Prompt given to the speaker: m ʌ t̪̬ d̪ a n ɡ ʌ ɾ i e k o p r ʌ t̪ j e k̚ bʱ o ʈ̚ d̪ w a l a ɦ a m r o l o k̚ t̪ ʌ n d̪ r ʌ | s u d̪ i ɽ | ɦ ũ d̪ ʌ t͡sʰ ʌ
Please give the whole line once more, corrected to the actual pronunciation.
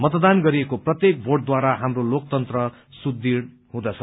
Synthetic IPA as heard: m ʌ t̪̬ d̪ a n ɡ ʌ ɾ i e k o p r ʌ t̪ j e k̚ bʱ o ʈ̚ d̪ w a ɾ a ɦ a m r o l o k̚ t̪ ʌ n t̪ r ʌ | s u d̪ i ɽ | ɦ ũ d̪ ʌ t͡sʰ ʌ